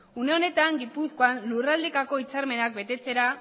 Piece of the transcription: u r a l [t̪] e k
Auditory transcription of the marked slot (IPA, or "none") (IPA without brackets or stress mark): d̪